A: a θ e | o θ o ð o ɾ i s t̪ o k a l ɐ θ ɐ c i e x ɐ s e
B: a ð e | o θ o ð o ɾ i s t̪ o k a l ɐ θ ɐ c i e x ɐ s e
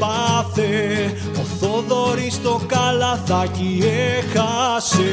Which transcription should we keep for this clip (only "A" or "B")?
A